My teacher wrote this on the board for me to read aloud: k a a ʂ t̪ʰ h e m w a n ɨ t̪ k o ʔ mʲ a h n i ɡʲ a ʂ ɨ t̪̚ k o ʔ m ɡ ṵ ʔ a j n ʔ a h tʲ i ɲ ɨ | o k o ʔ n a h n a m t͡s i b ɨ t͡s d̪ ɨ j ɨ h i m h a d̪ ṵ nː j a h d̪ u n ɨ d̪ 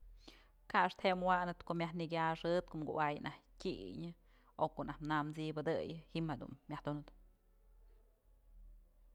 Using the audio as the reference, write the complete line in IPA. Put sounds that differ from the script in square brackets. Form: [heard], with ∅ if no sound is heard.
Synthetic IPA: k a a ʂ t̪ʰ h e m w a n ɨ t̪ k o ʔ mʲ a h n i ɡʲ a ʂ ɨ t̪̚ k o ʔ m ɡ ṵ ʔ a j n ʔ a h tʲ i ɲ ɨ | o k o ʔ n a h n a m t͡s i b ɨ [∅] d̪ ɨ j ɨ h i m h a d̪ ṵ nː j a h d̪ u n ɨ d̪